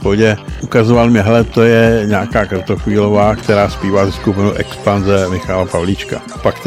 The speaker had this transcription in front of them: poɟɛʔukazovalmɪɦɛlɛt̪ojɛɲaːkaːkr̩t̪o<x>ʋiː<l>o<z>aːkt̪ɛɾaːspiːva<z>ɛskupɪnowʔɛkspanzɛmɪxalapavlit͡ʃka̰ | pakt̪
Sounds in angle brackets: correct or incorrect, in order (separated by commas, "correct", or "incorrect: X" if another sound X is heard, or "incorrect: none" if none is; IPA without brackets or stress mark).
correct, correct, incorrect: v, correct